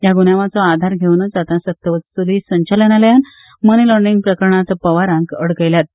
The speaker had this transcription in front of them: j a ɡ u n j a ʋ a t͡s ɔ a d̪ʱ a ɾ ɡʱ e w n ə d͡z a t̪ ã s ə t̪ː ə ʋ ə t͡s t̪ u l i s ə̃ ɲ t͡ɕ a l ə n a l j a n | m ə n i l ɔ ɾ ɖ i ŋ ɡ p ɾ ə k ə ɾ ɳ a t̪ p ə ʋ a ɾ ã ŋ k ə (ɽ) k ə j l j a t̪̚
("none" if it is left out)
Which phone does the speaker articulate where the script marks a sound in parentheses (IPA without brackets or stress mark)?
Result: ɽ